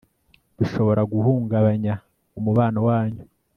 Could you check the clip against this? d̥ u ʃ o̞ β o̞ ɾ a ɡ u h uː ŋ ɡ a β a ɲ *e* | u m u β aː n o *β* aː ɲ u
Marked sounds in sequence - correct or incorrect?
incorrect, incorrect

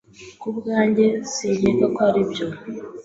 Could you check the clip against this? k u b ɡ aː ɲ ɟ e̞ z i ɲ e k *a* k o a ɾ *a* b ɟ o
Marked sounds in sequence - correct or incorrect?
correct, incorrect

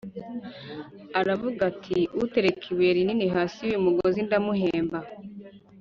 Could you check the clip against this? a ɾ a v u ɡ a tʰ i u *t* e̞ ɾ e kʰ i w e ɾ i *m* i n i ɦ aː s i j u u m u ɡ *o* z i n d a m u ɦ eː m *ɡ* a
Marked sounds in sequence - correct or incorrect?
correct, incorrect, correct, incorrect

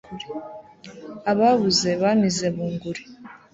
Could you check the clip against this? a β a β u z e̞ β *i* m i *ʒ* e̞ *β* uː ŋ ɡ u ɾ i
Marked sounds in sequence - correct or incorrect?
incorrect, incorrect, correct

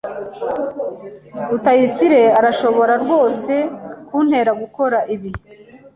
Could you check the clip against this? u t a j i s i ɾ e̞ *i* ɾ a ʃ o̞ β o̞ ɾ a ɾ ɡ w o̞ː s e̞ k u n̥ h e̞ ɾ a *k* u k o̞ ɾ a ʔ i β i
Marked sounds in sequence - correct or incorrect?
incorrect, incorrect

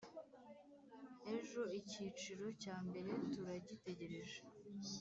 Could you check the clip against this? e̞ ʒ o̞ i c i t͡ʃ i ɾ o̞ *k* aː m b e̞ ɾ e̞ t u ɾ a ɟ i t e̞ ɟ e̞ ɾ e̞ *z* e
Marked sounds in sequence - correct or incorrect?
incorrect, incorrect

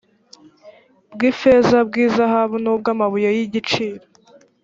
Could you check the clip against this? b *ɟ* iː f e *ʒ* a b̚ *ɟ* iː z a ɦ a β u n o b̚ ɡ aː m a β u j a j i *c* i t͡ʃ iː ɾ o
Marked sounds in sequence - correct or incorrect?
incorrect, incorrect, incorrect, incorrect

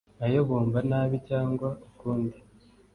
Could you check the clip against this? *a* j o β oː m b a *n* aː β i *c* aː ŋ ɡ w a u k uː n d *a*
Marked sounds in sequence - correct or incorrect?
correct, correct, correct, incorrect

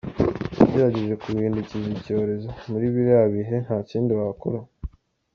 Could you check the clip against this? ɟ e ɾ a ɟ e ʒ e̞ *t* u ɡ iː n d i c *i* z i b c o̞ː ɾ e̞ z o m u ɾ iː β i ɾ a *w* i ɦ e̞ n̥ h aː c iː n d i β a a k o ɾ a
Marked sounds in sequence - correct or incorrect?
incorrect, correct, incorrect

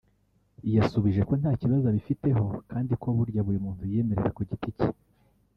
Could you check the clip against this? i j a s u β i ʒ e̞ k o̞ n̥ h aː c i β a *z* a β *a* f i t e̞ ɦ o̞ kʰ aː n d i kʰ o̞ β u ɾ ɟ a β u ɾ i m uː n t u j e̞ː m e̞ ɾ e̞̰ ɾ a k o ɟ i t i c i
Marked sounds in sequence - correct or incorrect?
correct, incorrect

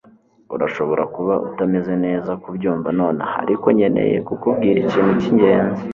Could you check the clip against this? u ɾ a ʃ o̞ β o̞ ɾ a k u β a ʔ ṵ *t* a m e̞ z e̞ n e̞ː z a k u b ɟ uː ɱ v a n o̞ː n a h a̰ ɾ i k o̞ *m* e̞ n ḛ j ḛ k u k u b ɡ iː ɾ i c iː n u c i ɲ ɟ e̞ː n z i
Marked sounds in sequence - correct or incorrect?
correct, incorrect

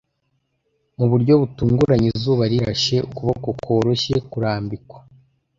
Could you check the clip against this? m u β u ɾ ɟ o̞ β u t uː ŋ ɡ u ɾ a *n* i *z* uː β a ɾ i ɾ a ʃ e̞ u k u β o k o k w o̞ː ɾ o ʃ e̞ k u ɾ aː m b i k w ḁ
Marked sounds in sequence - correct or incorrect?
incorrect, correct

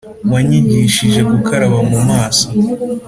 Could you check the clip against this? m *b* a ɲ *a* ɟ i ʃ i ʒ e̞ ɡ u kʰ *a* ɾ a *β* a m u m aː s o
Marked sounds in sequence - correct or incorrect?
incorrect, incorrect, correct, correct

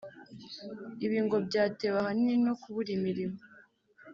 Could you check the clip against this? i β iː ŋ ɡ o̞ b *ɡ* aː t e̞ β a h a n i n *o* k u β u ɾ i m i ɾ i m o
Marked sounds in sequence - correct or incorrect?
incorrect, correct

